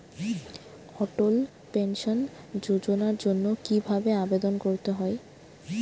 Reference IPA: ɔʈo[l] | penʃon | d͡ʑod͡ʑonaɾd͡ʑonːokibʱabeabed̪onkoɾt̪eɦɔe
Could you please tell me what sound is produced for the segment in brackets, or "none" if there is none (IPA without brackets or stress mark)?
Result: l